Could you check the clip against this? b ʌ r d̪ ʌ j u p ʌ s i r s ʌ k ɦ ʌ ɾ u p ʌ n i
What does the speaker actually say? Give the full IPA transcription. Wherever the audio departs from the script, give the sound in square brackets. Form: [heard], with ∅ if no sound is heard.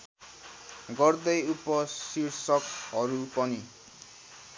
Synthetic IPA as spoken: [ɡ] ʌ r d̪ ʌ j u p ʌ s i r s ʌ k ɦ ʌ ɾ u p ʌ n i